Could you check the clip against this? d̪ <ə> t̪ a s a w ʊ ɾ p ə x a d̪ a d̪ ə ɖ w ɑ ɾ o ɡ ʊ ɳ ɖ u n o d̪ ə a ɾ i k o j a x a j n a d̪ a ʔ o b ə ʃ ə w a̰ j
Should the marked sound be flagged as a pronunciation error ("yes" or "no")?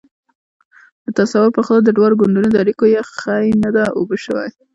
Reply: no